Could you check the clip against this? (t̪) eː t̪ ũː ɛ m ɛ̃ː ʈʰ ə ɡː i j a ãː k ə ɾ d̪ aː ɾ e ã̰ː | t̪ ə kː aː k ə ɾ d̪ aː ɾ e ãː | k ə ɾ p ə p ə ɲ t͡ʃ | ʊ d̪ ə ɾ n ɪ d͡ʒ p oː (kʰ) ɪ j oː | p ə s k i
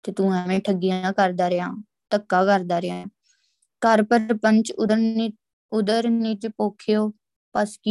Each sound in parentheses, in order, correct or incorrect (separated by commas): correct, correct